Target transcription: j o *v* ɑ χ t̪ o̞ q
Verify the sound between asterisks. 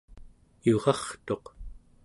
incorrect: ʁ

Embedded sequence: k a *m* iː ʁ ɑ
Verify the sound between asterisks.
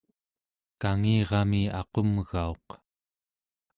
incorrect: ŋ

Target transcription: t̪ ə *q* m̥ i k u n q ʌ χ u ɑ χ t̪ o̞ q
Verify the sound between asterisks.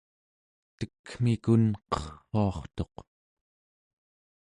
incorrect: k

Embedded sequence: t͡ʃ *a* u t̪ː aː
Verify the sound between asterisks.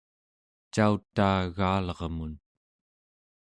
correct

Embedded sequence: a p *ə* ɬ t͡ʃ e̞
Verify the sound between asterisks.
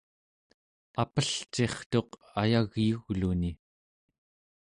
correct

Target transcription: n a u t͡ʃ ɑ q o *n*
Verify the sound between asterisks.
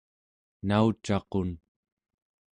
correct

